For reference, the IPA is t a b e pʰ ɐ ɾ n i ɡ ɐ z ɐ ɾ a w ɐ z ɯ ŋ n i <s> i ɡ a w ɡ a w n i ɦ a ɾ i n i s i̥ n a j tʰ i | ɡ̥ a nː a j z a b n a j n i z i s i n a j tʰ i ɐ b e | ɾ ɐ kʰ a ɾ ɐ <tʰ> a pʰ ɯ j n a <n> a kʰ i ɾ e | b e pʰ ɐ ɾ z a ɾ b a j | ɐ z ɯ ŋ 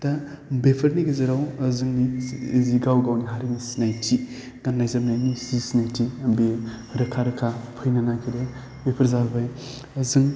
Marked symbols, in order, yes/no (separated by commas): no, no, yes